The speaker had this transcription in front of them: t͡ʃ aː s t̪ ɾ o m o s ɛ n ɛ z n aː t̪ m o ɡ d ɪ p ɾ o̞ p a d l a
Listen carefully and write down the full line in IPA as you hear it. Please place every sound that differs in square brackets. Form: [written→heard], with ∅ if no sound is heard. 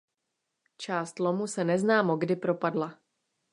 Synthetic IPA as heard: t͡ʃ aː s t̪ [ɾ→l] o m [o→u] s ɛ n ɛ z n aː [t̪→∅] m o ɡ d ɪ p ɾ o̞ p a d l a